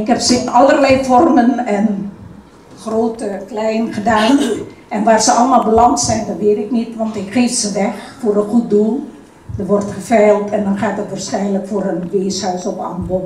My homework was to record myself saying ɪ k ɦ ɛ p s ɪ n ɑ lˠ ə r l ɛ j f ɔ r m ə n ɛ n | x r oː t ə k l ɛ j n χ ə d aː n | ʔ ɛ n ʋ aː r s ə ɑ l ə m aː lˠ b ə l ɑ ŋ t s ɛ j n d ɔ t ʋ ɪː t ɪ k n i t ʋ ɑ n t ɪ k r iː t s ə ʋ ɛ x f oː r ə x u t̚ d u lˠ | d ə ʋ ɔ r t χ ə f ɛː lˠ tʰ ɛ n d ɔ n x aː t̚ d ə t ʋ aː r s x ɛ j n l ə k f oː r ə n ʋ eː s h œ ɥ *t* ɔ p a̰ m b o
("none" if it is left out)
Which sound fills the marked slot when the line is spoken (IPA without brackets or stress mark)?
s